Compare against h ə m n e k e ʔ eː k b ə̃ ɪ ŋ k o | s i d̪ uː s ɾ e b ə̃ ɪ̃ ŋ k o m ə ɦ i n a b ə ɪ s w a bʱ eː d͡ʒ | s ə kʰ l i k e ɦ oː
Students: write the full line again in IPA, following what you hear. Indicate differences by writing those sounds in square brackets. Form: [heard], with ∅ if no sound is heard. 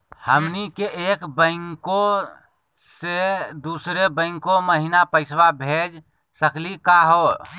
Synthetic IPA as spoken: h ə m n [i] k e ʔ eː k b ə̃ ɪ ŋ k o | s [e] d̪ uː s ɾ e b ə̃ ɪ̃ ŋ k o m ə ɦ i n a [p] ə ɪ s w a bʱ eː d͡ʒ | s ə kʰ l i k [a] ɦ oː

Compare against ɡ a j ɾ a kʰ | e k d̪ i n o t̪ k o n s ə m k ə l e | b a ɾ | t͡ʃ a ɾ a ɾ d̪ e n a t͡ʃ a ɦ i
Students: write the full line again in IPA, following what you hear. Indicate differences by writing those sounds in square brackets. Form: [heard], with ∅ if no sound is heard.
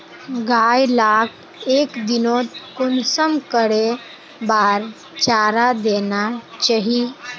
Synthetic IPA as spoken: ɡ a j [l] a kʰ | e k d̪ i n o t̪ k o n s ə m k ə [ɽ] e | b a ɾ | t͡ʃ a ɾ a [∅] d̪ e n a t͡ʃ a ɦ i

